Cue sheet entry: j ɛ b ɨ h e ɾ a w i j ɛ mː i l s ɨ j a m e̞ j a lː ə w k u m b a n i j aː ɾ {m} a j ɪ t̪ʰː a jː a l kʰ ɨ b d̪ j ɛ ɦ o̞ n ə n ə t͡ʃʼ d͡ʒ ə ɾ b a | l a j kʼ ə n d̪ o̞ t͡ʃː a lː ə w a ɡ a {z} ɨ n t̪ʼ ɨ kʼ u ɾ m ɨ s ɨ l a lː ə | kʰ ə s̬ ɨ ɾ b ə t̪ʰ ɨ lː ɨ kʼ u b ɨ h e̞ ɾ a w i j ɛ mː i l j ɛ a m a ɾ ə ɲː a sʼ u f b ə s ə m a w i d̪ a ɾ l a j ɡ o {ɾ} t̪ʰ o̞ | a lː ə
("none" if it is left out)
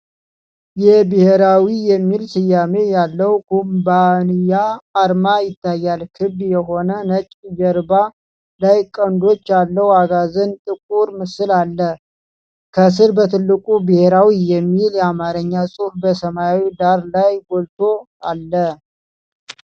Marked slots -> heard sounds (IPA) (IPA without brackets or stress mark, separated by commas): m, z, l